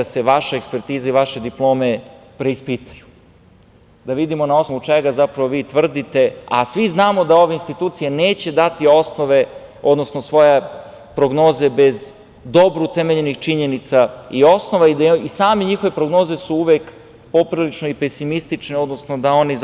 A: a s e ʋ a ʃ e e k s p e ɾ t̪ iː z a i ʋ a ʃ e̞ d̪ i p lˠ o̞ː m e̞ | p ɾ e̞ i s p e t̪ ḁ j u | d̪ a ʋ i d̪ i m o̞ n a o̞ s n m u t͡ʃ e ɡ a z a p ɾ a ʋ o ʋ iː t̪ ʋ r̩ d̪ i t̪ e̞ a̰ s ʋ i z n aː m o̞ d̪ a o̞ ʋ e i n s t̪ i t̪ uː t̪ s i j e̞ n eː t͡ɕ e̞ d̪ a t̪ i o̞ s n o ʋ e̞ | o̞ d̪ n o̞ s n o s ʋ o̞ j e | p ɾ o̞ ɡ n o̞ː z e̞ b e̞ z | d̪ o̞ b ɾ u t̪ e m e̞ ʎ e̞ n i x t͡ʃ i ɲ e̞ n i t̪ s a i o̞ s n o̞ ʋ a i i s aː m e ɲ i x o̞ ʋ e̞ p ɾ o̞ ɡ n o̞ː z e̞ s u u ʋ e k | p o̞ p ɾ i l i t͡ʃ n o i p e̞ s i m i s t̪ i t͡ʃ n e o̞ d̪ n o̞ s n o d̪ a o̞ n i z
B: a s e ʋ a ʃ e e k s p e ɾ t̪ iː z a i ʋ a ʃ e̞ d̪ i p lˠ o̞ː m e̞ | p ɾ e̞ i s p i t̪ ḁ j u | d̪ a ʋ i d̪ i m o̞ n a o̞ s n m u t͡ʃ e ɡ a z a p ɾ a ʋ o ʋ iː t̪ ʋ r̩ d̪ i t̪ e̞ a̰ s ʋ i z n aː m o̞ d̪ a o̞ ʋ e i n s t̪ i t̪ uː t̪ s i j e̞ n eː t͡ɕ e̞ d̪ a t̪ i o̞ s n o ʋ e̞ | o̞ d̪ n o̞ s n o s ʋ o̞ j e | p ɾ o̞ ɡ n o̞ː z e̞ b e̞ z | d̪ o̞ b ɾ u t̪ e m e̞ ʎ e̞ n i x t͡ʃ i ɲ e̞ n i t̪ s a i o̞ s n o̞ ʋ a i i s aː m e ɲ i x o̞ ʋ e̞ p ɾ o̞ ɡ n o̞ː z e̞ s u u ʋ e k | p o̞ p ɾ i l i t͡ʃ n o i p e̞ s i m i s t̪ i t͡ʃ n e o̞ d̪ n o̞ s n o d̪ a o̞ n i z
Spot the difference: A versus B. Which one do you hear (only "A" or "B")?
B